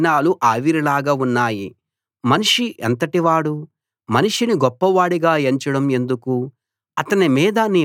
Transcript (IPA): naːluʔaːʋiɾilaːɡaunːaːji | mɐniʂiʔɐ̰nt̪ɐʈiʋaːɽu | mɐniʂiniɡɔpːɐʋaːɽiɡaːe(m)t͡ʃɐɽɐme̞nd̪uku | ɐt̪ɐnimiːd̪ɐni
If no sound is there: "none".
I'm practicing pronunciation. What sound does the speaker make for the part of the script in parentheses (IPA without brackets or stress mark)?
ɲ